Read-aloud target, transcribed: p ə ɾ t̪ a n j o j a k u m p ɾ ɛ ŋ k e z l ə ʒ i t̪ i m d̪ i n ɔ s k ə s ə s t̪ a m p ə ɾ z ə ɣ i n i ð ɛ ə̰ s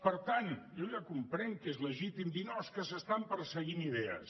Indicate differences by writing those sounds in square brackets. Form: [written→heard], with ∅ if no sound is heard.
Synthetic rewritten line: p ə ɾ t̪ a n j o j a k u m p ɾ ɛ ŋ k e z l ə ʒ i t̪ i m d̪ i n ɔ s k ə s ə s t̪ a m p ə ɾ [z→s] ə ɣ i n i ð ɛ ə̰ s